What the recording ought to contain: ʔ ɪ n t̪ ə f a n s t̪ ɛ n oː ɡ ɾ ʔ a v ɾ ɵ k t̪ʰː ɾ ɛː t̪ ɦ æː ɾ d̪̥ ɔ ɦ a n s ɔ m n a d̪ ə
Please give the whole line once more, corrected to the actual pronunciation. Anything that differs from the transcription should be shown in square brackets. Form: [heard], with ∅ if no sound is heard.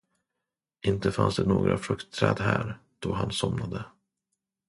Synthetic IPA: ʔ ɪ n t̪ ə f a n s [d̪] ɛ n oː ɡ ɾ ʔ a [f] ɾ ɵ k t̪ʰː ɾ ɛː [d̪] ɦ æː ɾ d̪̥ ɔ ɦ a n s ɔ m n a d̪ ə

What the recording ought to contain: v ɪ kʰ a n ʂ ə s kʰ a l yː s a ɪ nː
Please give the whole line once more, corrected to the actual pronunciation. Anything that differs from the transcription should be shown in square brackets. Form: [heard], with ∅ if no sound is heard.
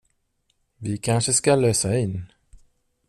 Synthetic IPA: v ɪ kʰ a n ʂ ə s [k] a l [øː] s a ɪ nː

